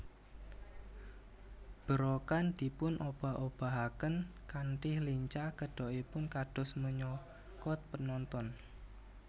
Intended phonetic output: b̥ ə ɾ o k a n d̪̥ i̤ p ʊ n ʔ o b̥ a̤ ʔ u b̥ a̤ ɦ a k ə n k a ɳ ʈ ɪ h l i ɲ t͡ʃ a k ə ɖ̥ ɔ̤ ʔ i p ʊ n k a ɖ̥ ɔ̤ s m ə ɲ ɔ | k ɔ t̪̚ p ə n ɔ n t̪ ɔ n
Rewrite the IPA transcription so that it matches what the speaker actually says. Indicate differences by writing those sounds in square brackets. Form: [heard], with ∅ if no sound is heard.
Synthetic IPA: b̥ ə ɾ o k a n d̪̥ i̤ p ʊ n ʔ o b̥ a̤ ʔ [o] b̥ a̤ ɦ a k ə n k a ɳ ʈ ɪ h l i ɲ t͡ʃ a k ə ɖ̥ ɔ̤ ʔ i p ʊ n k a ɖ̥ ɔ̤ s m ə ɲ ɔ | k ɔ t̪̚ p ə n ɔ n t̪ ɔ n

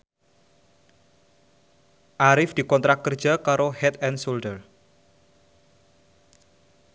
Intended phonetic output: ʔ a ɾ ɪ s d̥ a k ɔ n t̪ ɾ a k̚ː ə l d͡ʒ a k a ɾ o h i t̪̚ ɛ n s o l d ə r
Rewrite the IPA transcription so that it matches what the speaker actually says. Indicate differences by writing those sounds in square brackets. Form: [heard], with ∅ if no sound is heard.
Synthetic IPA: ʔ a ɾ ɪ [f] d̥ [i] k ɔ n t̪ ɾ a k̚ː ə [r] d͡ʒ a k a ɾ o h [ɛ] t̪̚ ɛ n s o l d ə r

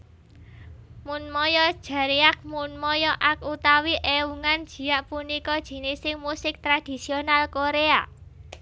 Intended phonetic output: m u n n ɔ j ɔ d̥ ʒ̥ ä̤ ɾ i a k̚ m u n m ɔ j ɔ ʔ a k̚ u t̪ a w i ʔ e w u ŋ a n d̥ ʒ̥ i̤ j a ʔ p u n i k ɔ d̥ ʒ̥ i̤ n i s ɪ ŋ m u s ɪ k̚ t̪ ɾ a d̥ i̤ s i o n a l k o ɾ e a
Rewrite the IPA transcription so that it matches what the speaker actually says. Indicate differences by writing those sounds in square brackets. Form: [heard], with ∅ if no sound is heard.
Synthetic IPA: m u n [m] ɔ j ɔ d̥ ʒ̥ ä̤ ɾ i a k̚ m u n m ɔ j ɔ ʔ a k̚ u t̪ a w i ʔ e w u ŋ a n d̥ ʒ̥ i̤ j a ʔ p u n i k ɔ d̥ ʒ̥ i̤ n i s ɪ ŋ m u s ɪ k̚ t̪ ɾ a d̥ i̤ s i o n a l k o ɾ e a

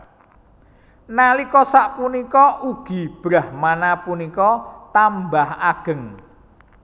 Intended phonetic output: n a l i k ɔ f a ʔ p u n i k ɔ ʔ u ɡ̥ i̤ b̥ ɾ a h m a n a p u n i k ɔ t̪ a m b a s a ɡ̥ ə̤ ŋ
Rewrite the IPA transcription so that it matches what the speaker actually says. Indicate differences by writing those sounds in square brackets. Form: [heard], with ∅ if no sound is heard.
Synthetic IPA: n a l i k ɔ [s] a ʔ p u n i k ɔ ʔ u ɡ̥ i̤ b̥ ɾ a h m a n a p u n i k ɔ t̪ a m b a [h] a ɡ̥ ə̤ ŋ

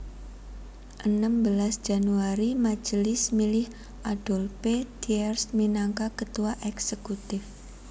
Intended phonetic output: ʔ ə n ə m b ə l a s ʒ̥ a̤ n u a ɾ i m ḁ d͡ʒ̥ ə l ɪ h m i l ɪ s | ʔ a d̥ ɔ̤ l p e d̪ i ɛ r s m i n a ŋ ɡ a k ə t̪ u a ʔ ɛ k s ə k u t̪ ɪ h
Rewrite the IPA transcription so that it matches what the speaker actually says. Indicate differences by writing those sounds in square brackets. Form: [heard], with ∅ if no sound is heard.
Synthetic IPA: ʔ ə n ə m b ə l a s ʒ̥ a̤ n u a ɾ i m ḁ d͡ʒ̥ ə l ɪ [s] m i l ɪ [h] | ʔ a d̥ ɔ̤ l p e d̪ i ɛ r s m i n a ŋ [k] a k ə t̪ u a ʔ ɛ k s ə k u t̪ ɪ [f]

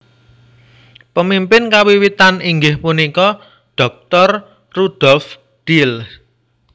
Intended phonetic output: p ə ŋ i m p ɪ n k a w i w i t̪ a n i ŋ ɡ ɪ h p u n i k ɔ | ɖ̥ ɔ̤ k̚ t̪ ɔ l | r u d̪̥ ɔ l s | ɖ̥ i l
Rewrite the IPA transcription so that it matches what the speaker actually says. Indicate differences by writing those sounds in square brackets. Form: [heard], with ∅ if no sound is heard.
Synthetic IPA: p ə [m] i m p ɪ n k a w i w i t̪ a n i ŋ ɡ ɪ h p u n i k ɔ | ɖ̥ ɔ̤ k̚ t̪ ɔ [r] | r u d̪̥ ɔ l [f] | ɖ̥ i l

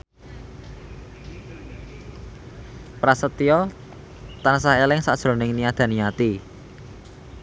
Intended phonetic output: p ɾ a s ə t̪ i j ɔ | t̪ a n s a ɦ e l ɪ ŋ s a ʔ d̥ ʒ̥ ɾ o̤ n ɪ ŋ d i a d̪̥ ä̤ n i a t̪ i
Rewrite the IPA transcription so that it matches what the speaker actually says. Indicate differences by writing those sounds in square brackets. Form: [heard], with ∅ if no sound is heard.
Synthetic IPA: p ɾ a s ə t̪ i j ɔ | t̪ a n s a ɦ e l ɪ ŋ s a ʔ d̥ ʒ̥ ɾ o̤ n ɪ ŋ [n] i a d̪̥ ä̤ n i a t̪ i

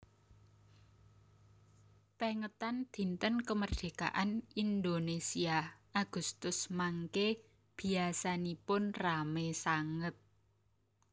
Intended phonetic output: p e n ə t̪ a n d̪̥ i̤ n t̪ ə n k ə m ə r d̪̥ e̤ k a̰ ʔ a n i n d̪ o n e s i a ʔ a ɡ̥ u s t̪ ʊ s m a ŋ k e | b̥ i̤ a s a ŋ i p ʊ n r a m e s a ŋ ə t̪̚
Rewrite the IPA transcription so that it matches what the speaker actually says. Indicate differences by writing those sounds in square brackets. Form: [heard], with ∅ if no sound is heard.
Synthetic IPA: p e [ŋ] ə t̪ a n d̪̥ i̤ n t̪ ə n k ə m ə r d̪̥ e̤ k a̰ ʔ a n i n d̪ o n e s i a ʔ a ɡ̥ u s t̪ ʊ s m a ŋ k e | b̥ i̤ a s a [n] i p ʊ n r a m e s a ŋ ə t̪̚

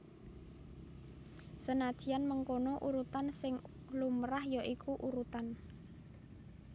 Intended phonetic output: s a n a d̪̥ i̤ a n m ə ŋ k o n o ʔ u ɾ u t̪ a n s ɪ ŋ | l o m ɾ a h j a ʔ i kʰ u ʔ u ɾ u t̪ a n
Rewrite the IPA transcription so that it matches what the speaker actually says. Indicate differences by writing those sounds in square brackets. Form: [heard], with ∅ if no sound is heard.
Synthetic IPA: s [ə] n a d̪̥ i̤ a n m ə ŋ k o n o ʔ u ɾ u t̪ a n s ɪ ŋ | l [u] m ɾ a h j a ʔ i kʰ u ʔ u ɾ u t̪ a n

